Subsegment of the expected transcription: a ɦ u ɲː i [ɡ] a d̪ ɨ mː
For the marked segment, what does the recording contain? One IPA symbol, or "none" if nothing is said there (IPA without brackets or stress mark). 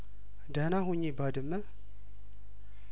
b